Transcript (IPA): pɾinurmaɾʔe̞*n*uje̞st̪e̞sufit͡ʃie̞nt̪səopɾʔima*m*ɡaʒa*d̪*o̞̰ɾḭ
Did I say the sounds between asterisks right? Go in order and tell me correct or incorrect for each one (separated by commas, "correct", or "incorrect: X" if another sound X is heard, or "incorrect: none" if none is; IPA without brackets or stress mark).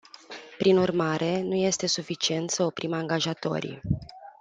correct, incorrect: ŋ, incorrect: t̪